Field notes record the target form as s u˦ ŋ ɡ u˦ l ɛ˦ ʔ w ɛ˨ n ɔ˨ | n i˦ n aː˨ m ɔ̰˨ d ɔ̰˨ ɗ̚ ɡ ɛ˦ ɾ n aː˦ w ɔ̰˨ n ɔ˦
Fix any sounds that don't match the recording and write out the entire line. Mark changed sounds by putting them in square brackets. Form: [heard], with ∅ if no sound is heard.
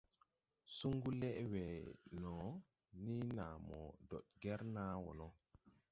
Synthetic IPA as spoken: s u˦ ŋ ɡ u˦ l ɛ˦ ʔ w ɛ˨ n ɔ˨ | n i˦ n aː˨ m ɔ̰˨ d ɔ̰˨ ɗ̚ ɡ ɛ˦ ɾ n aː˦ w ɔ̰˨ n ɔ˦